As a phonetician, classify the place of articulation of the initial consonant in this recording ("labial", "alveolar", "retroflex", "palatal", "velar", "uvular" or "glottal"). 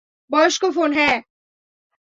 labial